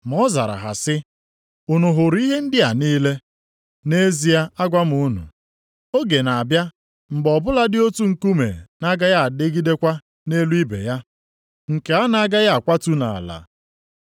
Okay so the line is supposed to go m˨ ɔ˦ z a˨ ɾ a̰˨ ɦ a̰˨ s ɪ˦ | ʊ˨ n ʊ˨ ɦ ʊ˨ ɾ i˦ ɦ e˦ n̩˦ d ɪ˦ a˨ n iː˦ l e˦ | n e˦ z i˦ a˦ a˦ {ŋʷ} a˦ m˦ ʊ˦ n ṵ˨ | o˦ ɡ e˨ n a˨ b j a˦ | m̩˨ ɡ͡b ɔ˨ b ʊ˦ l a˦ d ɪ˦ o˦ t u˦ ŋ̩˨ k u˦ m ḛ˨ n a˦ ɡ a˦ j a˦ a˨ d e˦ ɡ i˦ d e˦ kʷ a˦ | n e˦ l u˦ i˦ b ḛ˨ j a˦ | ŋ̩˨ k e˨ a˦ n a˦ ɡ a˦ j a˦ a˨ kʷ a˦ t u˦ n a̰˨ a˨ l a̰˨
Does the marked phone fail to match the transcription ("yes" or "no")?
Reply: yes